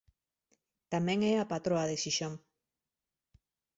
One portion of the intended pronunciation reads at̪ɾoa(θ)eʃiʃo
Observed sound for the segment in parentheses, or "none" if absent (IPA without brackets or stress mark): ð